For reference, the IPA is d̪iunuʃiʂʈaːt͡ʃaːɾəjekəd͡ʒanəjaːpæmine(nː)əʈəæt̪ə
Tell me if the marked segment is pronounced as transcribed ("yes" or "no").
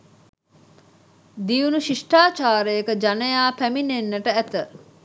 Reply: yes